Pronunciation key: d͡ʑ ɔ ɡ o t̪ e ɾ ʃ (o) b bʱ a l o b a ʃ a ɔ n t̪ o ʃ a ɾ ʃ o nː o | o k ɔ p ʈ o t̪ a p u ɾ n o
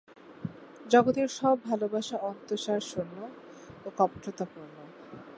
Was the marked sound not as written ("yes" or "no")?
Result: yes